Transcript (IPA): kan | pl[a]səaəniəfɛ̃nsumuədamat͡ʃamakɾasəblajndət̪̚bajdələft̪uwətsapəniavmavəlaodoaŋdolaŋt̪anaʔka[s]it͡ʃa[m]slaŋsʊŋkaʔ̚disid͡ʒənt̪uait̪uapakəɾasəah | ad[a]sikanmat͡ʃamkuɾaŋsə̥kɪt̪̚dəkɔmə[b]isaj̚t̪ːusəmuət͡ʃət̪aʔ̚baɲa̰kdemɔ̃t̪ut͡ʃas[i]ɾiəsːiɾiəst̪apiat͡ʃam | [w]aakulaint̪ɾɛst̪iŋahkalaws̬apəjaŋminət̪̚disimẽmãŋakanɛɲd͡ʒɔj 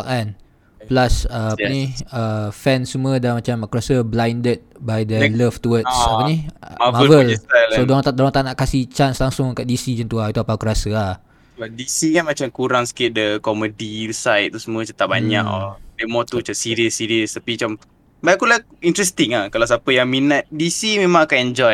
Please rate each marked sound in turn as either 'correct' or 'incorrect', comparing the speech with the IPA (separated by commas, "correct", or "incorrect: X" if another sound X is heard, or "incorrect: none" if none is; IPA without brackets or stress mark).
correct, correct, incorrect: n, incorrect: i, incorrect: d, correct, incorrect: b